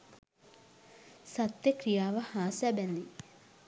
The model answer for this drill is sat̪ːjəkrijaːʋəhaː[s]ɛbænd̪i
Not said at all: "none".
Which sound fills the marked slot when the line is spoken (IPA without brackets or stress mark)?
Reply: s